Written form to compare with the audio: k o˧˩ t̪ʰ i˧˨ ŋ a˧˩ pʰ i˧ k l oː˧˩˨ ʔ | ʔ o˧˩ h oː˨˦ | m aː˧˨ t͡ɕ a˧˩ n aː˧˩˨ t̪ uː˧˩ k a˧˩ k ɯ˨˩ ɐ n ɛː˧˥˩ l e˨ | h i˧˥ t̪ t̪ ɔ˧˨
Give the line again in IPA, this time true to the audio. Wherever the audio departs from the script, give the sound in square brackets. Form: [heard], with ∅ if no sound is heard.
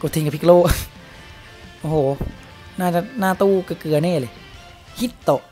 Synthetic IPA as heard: k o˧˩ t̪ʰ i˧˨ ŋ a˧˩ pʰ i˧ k l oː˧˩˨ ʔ | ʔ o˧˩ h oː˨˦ | [n] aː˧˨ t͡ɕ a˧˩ n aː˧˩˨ t̪ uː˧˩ k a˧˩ k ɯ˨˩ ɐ n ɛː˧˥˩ l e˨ | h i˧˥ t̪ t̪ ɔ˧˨